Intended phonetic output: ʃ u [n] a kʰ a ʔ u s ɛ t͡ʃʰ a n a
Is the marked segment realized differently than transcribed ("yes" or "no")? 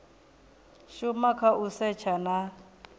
yes